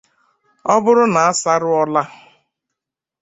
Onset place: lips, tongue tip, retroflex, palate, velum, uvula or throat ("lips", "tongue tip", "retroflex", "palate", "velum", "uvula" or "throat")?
lips